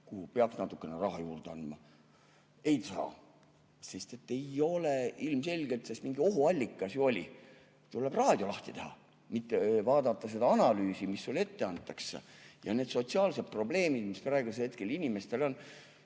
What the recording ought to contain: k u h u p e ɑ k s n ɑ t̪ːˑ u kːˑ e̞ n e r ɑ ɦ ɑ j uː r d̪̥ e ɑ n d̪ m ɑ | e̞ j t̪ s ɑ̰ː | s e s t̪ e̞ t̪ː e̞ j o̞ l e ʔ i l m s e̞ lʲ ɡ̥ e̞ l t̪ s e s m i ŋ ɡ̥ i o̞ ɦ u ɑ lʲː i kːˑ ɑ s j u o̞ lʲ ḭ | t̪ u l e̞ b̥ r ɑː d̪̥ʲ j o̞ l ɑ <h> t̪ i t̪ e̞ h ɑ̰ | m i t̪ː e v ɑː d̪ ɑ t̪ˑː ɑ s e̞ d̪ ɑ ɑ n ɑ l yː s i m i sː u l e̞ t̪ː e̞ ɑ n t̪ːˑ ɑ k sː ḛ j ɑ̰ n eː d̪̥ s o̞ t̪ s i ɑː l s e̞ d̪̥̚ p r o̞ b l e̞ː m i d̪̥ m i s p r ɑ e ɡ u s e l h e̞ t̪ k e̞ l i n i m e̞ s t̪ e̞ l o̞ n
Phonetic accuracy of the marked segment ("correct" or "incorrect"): correct